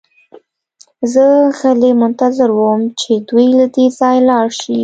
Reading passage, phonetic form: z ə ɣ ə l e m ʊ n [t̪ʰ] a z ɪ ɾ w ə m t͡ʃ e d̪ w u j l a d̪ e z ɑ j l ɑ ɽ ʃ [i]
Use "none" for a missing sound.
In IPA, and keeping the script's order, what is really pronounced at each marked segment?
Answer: t̪, i

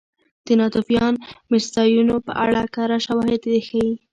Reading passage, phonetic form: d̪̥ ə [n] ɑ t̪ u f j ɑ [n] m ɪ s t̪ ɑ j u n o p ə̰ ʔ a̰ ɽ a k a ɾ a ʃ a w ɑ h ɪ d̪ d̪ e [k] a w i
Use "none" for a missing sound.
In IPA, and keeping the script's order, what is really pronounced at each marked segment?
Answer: n, n, x

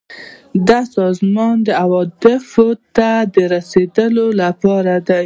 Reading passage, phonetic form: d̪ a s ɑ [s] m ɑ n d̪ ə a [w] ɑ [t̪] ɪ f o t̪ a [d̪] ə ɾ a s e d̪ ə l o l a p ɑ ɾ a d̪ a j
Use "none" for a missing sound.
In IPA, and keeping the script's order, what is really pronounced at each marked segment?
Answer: z, w, d̪, d̪

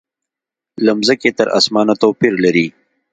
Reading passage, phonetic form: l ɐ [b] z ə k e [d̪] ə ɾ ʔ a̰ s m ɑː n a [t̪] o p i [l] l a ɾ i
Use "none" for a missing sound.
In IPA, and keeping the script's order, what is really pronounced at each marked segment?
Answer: m, t̪, t̪, ɾ

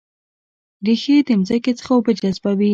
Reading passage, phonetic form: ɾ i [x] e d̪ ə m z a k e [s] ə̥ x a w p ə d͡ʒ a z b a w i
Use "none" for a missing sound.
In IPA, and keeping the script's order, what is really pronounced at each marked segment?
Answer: x, t͡s

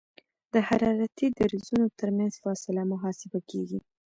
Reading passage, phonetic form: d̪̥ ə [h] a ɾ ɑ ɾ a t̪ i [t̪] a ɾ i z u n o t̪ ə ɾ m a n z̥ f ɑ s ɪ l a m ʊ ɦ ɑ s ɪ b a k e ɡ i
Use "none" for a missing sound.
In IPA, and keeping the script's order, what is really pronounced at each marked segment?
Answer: h, d̪

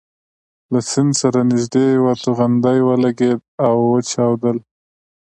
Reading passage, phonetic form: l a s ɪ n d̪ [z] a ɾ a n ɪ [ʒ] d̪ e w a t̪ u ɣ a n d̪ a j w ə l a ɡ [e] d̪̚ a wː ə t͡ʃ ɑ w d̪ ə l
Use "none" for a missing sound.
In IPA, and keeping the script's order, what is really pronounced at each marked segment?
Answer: s, ʒ, e

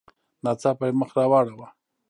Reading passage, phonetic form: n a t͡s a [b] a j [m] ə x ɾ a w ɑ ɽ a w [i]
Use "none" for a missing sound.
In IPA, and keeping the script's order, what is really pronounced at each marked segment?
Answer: p, m, a

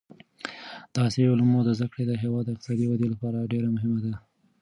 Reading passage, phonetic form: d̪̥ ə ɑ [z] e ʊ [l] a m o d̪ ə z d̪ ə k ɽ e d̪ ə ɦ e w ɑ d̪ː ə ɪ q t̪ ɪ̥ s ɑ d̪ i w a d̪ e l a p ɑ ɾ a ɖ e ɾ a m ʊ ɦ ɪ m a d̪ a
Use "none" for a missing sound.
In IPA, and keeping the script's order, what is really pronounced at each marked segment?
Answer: s, l

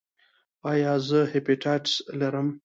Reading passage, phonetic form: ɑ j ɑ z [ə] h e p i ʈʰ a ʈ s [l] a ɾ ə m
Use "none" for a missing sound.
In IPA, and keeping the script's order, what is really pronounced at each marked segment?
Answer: ə, l

